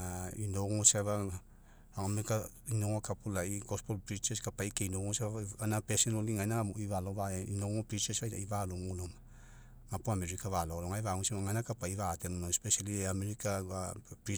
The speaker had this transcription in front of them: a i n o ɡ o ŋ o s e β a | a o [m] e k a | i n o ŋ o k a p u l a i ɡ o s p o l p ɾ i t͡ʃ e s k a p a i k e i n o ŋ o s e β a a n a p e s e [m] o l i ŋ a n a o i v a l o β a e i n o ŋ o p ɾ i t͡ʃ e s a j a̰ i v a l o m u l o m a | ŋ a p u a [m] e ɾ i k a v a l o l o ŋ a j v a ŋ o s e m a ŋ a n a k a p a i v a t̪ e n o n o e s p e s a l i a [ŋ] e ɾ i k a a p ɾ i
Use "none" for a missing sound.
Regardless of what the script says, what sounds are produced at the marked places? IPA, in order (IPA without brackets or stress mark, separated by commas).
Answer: m, n, m, m